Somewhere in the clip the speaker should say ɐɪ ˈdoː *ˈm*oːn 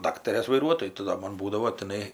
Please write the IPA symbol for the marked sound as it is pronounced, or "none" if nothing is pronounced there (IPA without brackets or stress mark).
m